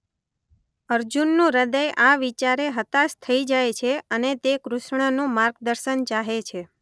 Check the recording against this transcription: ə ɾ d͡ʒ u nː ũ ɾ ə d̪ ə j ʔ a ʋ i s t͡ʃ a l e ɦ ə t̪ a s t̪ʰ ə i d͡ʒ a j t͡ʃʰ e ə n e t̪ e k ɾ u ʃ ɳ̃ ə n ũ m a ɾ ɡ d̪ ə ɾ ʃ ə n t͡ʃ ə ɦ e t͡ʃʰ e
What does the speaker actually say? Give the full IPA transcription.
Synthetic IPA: ə ɾ d͡ʒ u nː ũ ɾ ə d̪ ə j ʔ a ʋ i t͡ʃ a ɾ e ɦ ə t̪ a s t̪ʰ ə i d͡ʒ a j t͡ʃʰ e ə n e t̪ e k ɾ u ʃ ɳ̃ ə n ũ m a ɾ ɡ d̪ ə ɾ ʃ ə n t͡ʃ a ɦ e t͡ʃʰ e